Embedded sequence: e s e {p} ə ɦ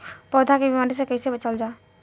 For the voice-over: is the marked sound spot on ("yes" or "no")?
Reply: no